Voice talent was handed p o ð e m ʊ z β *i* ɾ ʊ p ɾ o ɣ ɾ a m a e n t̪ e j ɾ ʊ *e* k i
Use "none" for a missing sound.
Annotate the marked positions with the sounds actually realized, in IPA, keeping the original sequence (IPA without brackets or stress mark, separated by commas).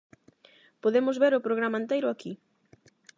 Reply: e, a